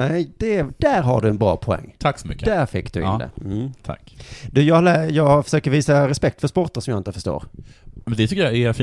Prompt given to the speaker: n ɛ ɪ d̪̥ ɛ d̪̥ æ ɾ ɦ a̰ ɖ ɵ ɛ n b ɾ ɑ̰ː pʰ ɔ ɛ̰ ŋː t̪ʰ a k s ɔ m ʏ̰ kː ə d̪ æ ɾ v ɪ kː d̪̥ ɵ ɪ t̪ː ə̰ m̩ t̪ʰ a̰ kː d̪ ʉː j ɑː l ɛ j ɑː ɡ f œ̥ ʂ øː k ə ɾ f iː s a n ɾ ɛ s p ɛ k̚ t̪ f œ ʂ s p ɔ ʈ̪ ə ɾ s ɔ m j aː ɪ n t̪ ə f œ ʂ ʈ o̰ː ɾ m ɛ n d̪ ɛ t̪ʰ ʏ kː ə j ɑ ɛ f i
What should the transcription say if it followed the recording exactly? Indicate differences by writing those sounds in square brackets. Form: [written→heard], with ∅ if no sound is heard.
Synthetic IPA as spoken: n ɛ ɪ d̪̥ ɛ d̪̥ æ ɾ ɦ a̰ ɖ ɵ ɛ n b ɾ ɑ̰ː pʰ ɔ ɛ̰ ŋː t̪ʰ a k s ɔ m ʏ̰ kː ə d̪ æ ɾ [v→f] ɪ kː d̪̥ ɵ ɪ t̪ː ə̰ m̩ t̪ʰ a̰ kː d̪ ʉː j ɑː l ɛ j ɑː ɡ f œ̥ ʂ øː k ə ɾ [f→v] iː s a [n→∅] ɾ ɛ s p ɛ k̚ t̪ f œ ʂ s p ɔ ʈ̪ ə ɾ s ɔ m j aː ɪ n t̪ ə f œ ʂ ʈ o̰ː ɾ m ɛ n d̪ ɛ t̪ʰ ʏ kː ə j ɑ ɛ f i